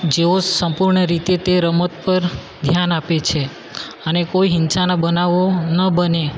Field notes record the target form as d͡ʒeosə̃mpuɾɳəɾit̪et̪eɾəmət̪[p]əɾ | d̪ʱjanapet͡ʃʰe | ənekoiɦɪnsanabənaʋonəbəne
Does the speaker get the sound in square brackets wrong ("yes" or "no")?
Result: no